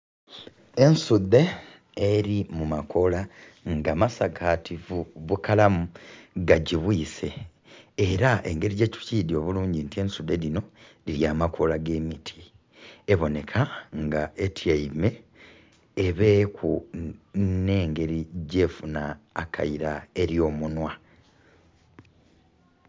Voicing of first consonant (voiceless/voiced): voiced